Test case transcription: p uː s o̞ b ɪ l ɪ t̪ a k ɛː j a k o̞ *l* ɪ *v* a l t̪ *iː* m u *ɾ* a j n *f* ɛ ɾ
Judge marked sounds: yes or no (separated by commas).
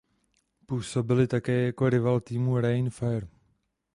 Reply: no, yes, yes, yes, yes